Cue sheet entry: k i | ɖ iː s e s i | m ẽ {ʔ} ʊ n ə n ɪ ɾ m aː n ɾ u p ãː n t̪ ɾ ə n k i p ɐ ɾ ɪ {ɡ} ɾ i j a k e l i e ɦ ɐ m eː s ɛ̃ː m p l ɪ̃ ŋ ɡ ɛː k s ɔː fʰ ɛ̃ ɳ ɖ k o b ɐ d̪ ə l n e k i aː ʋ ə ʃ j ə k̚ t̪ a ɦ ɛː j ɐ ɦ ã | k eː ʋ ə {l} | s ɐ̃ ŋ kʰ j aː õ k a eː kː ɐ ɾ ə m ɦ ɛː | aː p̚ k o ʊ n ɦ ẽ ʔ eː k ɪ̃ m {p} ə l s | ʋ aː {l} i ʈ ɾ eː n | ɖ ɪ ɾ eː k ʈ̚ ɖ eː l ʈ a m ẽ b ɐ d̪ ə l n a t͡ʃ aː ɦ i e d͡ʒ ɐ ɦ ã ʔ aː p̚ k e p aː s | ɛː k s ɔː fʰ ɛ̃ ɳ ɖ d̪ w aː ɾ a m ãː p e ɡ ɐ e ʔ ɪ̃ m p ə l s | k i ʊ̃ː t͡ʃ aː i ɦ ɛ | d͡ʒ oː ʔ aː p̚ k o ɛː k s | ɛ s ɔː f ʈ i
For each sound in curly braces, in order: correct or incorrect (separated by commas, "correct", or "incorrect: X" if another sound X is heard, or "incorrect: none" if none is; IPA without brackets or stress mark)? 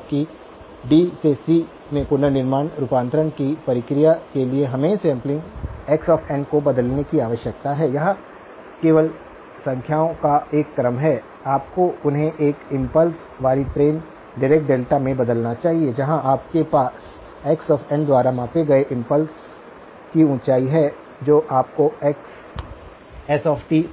incorrect: p, incorrect: k, correct, correct, incorrect: ɾ